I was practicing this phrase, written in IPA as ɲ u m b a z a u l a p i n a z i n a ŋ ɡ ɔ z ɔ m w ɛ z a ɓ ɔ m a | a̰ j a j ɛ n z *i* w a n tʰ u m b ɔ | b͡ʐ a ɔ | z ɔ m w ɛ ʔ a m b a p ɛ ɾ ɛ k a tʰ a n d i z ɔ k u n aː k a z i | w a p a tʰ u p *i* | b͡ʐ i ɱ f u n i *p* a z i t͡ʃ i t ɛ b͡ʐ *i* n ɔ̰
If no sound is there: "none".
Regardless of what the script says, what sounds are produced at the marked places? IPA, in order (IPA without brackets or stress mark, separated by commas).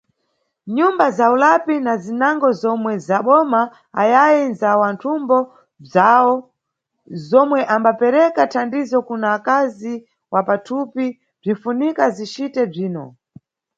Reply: a, i, k, iː